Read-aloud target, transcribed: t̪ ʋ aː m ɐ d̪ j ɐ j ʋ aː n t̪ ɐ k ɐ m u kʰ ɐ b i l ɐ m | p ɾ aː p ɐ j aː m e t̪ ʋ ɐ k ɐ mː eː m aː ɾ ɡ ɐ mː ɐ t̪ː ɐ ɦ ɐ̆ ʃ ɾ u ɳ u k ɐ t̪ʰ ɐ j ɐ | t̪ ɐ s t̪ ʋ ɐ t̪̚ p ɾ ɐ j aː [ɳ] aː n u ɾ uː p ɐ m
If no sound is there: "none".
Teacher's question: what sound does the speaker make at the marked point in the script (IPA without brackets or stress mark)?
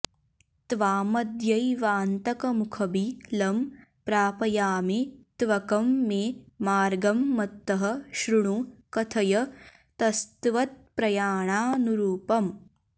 ɳ